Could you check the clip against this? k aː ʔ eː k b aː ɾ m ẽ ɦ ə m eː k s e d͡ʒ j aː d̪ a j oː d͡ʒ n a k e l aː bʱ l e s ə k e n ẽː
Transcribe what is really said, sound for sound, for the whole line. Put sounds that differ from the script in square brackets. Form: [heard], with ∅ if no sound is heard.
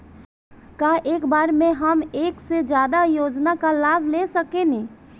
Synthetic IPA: k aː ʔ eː k b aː ɾ m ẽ ɦ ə m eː k s e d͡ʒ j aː d̪ a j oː d͡ʒ n a k [a] l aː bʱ l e s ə k e n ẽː